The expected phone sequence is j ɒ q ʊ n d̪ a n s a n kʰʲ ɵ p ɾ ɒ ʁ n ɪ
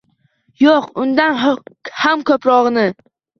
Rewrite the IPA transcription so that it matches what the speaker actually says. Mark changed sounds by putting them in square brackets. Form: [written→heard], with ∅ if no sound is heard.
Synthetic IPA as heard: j [ɒ→o] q ʊ n d̪ a n [s→h] a [n→m] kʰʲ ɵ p ɾ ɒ ʁ n ɪ